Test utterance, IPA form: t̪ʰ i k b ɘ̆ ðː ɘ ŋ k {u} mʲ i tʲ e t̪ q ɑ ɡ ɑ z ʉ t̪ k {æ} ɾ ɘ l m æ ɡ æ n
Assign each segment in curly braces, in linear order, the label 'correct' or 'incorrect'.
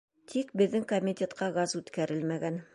incorrect: o, correct

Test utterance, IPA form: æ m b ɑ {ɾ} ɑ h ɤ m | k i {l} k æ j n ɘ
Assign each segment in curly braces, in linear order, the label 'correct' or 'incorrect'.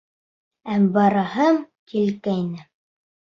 correct, correct

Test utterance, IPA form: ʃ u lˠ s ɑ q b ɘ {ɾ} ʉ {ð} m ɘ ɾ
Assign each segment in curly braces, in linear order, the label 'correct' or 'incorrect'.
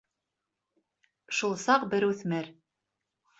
correct, incorrect: θ

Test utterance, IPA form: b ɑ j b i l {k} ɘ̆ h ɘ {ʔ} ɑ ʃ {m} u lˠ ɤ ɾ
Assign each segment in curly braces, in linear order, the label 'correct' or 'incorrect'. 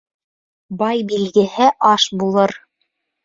incorrect: ɡ, correct, incorrect: b

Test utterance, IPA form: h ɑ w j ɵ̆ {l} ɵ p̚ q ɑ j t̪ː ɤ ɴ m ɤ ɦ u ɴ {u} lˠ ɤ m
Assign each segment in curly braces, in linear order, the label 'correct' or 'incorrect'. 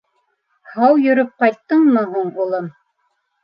incorrect: ɾ, correct

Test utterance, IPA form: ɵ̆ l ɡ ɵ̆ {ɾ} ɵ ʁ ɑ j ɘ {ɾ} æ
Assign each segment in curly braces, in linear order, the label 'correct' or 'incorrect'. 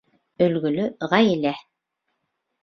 incorrect: l, incorrect: l

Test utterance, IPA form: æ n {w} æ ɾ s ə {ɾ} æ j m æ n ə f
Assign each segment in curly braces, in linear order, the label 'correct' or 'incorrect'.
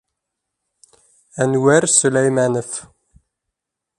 correct, incorrect: l

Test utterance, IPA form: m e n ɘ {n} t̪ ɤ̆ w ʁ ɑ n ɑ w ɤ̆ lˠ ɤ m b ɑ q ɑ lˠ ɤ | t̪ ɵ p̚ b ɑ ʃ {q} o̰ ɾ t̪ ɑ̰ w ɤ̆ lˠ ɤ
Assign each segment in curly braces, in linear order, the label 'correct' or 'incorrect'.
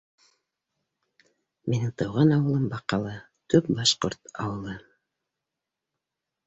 incorrect: ŋ, correct

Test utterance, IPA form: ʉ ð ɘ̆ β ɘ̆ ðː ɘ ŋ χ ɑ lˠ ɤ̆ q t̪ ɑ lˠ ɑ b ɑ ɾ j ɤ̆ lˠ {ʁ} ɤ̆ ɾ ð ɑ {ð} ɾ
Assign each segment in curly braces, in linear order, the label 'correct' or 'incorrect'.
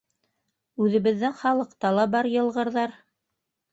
correct, incorrect: none

